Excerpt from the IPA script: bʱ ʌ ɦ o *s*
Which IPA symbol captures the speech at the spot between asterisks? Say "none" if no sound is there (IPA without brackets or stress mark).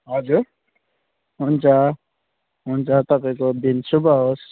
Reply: s